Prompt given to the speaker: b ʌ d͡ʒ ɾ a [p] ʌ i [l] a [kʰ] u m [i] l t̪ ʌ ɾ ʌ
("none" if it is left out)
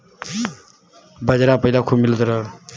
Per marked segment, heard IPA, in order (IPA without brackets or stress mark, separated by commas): p, l, kʰ, i